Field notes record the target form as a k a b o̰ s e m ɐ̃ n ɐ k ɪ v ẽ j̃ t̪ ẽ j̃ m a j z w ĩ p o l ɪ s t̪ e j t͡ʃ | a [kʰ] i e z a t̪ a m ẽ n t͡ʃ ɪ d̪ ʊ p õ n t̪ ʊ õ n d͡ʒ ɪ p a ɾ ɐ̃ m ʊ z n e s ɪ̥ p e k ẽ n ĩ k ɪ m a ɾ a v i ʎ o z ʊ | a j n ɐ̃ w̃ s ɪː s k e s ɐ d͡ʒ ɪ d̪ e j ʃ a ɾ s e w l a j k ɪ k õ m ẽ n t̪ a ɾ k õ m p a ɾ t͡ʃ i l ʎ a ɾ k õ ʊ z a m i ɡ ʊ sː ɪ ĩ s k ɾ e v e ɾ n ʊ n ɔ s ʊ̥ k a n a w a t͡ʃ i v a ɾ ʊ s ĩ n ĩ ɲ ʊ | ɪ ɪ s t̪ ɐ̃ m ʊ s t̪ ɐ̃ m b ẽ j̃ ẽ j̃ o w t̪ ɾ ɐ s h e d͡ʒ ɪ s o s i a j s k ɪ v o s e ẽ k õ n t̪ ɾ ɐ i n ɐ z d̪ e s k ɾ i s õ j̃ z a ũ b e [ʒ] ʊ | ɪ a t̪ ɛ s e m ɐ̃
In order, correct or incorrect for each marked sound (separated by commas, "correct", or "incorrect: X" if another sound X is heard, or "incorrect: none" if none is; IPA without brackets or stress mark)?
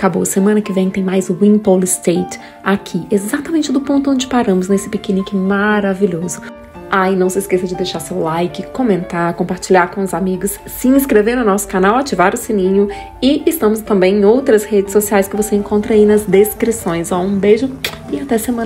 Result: correct, correct